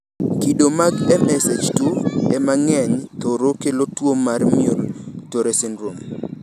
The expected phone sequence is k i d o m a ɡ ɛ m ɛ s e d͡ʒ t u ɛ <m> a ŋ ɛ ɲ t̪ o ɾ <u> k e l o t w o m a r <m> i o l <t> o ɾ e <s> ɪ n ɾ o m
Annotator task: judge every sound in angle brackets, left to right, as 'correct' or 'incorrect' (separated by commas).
correct, incorrect, correct, correct, correct